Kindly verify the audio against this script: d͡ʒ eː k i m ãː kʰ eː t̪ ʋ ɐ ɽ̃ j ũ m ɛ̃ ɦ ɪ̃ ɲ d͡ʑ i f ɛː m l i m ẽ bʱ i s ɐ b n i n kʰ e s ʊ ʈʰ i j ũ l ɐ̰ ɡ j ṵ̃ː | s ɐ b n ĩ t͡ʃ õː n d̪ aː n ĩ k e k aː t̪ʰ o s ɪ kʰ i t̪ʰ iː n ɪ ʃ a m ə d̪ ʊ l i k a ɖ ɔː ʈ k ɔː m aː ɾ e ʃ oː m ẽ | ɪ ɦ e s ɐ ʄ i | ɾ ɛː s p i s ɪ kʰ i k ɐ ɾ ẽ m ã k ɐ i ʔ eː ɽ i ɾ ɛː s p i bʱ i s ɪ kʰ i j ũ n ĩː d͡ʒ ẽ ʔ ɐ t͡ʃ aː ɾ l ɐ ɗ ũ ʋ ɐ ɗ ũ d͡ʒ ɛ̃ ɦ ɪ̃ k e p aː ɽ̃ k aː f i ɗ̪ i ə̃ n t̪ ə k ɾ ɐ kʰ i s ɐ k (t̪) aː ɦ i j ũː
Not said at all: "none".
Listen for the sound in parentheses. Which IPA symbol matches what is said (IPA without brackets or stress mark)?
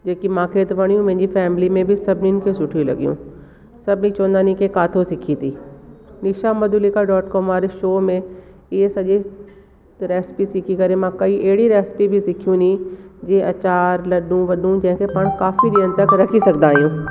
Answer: d̪